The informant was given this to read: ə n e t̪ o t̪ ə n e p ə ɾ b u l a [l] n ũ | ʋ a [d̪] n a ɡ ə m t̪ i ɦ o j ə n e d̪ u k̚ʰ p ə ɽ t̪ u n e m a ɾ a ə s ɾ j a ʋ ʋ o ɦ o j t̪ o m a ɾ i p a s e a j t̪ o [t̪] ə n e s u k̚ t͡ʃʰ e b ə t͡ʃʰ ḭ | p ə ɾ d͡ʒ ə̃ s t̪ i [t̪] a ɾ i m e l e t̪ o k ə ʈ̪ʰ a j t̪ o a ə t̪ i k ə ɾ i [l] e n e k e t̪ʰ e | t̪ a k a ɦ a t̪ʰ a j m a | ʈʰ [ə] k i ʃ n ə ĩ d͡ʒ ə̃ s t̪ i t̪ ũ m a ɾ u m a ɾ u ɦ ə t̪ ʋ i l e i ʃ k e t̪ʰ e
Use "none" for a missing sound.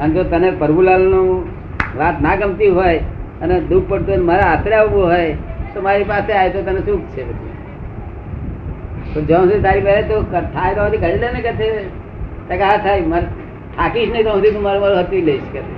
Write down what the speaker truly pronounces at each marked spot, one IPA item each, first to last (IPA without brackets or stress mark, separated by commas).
l, t̪, t̪, t̪, l, a